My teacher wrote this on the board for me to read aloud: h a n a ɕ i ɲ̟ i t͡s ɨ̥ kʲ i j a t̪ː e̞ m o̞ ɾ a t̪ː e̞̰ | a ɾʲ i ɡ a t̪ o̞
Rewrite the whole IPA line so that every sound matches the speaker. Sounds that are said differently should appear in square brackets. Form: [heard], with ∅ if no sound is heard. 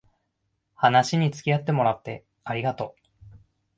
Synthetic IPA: h a n a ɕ i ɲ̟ i t͡s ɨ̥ kʲ i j a t̪ː e̞ m o̞ ɾ a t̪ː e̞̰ | a ɾʲ i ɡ a t̪ o̞